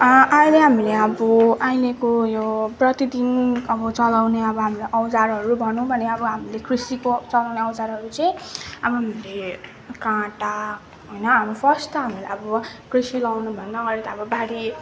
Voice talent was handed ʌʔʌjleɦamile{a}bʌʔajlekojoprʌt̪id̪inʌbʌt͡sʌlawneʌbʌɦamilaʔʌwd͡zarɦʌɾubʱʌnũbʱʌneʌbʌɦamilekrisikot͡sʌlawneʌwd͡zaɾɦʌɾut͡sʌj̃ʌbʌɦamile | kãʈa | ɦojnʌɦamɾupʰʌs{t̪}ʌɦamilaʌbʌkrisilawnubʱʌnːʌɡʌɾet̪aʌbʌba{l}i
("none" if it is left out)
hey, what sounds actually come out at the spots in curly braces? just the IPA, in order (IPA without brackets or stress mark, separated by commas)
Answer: ʌ, t̪, ɽ